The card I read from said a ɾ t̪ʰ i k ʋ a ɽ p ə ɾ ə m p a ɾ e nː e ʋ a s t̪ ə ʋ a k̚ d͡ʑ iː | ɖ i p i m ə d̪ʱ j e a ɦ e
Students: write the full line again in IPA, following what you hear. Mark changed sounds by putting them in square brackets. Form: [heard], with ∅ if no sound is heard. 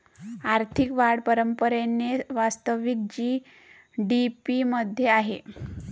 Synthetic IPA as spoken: a ɾ t̪ʰ i k ʋ a ɽ p ə ɾ ə m p [ə] ɾ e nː e ʋ a s t̪ ə ʋ [i] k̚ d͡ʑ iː | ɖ i p i m ə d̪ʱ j e a ɦ e